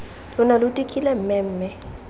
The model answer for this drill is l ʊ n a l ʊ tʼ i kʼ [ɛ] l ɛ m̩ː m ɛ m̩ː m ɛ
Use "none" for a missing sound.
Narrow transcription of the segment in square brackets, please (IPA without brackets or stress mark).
i